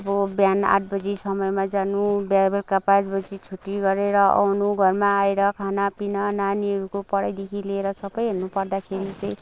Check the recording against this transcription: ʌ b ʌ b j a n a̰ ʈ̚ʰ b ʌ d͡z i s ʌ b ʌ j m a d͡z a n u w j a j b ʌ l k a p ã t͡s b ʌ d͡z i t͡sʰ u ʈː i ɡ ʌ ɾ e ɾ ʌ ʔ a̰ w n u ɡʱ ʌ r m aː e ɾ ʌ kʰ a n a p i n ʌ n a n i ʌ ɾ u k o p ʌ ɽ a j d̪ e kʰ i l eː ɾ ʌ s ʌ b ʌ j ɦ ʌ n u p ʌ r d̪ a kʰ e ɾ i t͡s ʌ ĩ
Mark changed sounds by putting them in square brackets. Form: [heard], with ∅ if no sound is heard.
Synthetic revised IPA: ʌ b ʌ b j a n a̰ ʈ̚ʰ b ʌ d͡z i s ʌ [m] ʌ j m a d͡z a n u [b] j a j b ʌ l k a p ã t͡s b ʌ d͡z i t͡sʰ u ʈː i ɡ ʌ ɾ e ɾ ʌ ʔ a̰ w n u ɡʱ ʌ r m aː e ɾ ʌ kʰ a n a p i n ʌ n a n i ʌ ɾ u k o p ʌ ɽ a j d̪ e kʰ i l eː ɾ ʌ s ʌ b ʌ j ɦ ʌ n u p ʌ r d̪ a kʰ e ɾ i t͡s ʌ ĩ